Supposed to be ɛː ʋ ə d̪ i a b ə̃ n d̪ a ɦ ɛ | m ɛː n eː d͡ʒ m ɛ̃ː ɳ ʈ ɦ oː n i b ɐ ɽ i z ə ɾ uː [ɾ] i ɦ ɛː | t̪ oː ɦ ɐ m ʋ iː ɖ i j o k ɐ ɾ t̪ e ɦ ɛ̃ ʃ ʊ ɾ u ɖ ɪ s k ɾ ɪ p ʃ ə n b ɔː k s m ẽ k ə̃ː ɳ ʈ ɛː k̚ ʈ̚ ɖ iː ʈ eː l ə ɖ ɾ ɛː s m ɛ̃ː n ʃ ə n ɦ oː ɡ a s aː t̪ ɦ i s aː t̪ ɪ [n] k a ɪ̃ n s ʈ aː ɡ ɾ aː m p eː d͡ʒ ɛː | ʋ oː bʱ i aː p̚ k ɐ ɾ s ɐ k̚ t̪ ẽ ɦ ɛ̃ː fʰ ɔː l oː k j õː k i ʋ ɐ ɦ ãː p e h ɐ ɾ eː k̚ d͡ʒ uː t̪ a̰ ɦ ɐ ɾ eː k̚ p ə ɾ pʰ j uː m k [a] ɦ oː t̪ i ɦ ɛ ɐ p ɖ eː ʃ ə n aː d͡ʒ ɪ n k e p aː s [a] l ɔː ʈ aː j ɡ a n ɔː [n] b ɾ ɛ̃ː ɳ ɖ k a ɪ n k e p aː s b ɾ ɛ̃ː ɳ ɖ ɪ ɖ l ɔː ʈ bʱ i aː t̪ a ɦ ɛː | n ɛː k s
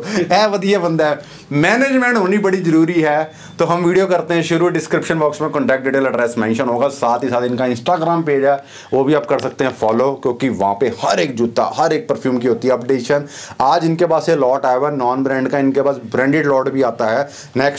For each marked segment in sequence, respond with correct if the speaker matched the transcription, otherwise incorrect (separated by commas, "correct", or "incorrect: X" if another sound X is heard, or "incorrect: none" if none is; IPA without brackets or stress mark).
correct, correct, incorrect: i, incorrect: e, correct